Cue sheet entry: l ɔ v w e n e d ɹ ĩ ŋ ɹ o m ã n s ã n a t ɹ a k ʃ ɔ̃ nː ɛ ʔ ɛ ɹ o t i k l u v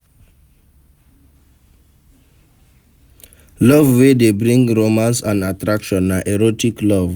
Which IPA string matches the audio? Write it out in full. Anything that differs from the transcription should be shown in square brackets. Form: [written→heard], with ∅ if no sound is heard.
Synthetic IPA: l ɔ v w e [n→d] e [d→b] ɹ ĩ ŋ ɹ o m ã n s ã n a t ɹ a k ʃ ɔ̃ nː [ɛ→a] ʔ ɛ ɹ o t i k l [u→ɔ] v